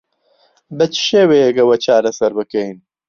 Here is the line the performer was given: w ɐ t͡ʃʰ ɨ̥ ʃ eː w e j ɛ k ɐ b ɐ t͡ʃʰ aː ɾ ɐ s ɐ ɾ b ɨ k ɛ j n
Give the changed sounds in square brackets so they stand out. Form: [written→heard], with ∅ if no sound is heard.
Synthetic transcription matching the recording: [w→b] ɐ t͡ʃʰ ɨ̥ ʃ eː w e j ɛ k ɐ [b→w] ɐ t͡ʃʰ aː ɾ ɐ s ɐ ɾ b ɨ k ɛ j n